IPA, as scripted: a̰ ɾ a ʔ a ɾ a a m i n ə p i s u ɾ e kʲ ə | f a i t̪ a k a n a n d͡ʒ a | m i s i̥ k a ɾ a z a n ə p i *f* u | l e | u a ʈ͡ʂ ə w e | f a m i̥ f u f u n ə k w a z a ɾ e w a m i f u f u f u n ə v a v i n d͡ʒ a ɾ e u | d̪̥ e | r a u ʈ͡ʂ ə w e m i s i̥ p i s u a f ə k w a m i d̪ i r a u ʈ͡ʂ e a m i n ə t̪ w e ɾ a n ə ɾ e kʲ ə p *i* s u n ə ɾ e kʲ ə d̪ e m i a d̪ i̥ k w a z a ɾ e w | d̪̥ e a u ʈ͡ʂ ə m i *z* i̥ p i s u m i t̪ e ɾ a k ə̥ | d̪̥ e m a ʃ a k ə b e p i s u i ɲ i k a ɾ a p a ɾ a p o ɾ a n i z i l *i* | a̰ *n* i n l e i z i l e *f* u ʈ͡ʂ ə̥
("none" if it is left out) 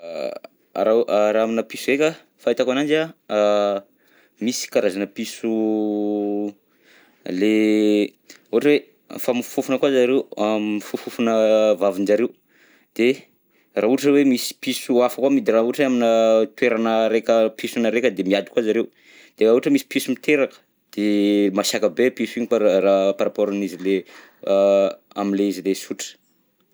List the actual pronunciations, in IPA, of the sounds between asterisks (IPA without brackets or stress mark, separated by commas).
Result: s, i, s, e, m, s